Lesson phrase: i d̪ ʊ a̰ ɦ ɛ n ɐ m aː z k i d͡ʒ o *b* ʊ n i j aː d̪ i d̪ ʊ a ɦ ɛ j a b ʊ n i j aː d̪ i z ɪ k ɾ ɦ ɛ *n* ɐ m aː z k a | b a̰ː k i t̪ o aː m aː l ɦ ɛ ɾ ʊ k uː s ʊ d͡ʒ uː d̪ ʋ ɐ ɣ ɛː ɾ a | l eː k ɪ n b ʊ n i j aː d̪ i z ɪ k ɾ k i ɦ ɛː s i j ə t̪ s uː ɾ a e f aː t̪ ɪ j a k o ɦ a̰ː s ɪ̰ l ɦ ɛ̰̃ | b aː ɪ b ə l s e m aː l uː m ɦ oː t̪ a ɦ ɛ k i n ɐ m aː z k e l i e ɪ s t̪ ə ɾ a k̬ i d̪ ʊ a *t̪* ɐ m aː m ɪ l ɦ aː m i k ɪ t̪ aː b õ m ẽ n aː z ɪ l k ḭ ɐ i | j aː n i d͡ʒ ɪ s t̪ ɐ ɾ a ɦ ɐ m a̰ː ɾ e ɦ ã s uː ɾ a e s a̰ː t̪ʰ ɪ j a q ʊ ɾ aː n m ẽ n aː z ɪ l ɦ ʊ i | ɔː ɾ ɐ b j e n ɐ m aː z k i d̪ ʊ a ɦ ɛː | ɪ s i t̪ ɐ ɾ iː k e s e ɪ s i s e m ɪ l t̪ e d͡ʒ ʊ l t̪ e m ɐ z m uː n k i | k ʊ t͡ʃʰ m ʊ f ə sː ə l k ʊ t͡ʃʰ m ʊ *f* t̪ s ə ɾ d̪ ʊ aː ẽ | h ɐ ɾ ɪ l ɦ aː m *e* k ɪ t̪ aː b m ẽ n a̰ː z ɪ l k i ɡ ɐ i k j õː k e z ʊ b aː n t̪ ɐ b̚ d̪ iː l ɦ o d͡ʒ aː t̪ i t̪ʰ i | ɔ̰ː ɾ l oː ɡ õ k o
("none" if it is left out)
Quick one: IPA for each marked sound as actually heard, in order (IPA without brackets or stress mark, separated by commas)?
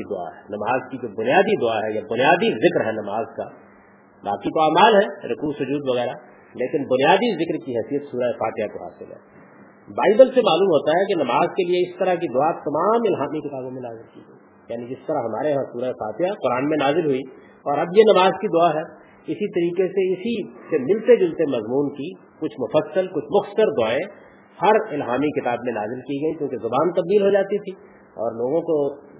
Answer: b, n, t̪, x, i